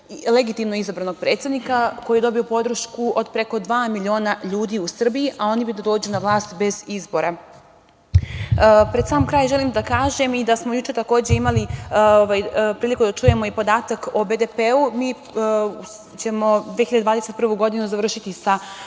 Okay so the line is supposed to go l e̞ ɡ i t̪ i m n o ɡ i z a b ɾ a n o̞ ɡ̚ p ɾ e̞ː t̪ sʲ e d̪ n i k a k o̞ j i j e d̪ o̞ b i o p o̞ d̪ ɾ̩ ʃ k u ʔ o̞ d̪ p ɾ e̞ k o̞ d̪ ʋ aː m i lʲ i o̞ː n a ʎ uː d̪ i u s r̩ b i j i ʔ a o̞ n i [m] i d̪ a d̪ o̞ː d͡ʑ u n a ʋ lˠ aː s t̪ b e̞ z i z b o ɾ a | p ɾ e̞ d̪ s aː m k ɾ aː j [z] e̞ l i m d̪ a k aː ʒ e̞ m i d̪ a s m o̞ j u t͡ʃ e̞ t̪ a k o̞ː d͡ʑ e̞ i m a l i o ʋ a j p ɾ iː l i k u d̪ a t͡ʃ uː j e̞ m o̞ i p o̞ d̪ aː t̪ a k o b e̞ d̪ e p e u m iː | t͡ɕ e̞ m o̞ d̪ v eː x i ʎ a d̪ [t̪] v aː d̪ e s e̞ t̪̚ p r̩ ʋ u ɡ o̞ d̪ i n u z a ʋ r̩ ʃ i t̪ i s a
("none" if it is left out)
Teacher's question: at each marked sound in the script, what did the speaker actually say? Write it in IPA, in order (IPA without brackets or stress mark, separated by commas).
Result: b, ʒ, d̪